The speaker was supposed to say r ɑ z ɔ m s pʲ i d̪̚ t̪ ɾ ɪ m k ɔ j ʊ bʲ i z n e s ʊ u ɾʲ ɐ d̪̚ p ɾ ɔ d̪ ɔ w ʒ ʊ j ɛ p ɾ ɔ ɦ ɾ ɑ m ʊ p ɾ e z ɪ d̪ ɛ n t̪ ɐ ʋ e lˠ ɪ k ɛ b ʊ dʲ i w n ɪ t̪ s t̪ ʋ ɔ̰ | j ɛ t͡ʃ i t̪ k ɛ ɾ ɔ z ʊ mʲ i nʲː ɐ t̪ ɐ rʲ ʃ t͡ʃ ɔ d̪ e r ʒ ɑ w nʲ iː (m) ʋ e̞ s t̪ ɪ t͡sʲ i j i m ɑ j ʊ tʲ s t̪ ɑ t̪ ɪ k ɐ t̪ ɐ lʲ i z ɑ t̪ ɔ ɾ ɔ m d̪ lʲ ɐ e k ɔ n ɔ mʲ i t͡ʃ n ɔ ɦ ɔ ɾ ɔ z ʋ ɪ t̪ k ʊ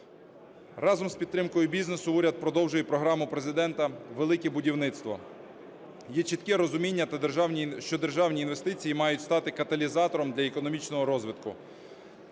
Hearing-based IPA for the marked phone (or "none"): n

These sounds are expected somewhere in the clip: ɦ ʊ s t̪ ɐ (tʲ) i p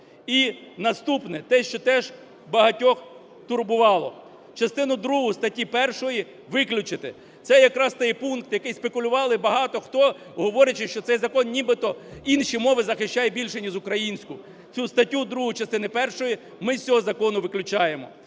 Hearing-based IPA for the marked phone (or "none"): tʲ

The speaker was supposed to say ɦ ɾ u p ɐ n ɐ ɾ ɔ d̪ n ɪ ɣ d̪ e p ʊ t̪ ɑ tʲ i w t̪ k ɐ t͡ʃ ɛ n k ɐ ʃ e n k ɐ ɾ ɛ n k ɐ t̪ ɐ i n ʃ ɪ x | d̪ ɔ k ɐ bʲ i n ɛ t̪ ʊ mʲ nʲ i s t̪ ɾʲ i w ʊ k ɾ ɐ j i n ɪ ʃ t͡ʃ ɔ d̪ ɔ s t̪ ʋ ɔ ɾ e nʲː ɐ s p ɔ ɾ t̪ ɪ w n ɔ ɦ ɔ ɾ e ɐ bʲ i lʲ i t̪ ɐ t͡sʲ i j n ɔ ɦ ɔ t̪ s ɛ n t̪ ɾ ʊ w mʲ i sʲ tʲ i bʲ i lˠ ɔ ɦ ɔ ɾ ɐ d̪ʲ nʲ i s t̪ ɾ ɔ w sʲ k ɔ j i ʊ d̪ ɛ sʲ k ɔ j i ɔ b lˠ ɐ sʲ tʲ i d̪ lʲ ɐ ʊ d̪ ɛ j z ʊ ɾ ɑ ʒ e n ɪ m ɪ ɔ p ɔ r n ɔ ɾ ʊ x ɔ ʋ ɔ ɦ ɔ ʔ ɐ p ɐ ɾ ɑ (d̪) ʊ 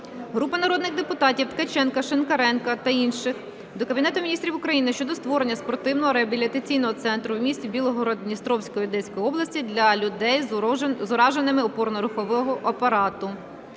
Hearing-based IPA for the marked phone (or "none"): t̪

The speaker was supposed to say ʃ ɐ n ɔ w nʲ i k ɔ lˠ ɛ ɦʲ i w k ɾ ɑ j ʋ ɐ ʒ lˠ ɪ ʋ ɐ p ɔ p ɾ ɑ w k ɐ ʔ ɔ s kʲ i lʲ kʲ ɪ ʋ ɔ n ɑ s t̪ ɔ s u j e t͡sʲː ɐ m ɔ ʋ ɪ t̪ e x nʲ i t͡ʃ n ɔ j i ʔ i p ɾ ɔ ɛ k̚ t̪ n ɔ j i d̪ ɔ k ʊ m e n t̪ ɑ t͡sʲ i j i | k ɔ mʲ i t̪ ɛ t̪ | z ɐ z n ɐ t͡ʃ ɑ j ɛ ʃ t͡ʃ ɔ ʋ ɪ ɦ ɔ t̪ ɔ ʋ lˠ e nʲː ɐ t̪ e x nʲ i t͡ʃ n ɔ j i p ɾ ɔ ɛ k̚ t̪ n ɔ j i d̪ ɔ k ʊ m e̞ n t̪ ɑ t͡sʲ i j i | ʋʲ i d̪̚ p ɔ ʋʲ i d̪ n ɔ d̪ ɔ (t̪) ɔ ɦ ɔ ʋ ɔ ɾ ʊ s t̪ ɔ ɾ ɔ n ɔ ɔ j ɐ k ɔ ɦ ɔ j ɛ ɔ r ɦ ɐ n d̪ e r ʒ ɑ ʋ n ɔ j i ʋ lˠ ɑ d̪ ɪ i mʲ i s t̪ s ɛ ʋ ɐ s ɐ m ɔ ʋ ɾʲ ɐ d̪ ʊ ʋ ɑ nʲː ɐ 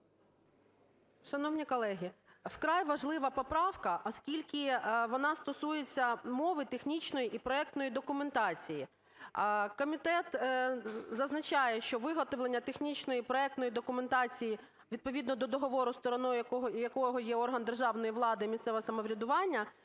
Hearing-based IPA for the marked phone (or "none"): d̪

